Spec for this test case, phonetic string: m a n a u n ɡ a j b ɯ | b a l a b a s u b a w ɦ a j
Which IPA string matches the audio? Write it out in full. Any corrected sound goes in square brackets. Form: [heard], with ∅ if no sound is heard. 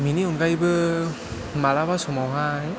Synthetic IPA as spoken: m [i] n [i] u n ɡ a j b ɯ | [m] a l a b a s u [m] a w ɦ a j